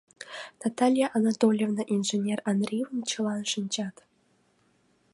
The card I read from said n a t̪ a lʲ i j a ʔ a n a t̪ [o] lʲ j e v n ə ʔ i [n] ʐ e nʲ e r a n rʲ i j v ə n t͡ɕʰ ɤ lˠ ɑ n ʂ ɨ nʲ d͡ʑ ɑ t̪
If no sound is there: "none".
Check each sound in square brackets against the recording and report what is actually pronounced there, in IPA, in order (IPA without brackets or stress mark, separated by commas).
o, n